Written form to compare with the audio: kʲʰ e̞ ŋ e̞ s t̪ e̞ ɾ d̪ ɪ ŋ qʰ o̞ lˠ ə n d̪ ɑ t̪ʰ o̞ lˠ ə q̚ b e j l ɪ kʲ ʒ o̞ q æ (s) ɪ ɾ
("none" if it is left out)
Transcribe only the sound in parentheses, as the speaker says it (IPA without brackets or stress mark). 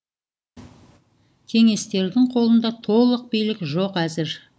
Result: z